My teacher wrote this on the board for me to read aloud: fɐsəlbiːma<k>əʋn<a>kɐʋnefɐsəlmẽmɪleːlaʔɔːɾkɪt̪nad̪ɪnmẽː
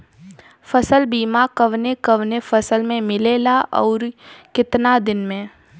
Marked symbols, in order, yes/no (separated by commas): yes, no